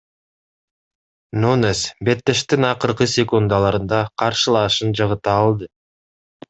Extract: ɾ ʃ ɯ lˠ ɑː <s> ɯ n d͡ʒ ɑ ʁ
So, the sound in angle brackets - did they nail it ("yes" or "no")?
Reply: no